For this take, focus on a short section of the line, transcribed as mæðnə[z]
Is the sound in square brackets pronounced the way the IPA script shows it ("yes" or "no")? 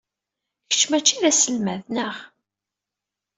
no